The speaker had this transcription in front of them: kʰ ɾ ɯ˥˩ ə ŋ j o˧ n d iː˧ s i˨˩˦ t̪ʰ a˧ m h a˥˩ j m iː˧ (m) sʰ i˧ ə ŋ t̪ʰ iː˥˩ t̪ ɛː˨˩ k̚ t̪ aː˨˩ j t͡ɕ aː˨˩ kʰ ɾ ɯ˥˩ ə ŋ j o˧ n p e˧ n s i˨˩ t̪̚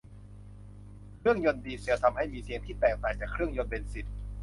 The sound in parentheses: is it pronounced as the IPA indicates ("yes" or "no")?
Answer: no